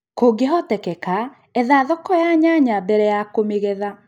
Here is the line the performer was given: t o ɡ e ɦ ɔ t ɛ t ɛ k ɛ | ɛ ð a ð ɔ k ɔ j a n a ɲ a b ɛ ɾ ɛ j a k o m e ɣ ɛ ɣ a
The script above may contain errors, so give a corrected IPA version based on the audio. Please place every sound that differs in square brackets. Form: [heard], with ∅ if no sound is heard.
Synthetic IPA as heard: [k] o ɡ e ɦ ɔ t ɛ [k] ɛ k [a] | ɛ ð a ð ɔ k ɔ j a [ɲ] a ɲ a b ɛ ɾ ɛ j a k o m e ɣ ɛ [ð] a